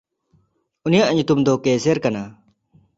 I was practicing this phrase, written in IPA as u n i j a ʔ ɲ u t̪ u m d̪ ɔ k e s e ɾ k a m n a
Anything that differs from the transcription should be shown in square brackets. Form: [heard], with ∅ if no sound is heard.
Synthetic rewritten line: u n i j a ʔ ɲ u t̪ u m d̪ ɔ k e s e ɾ k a [∅] n a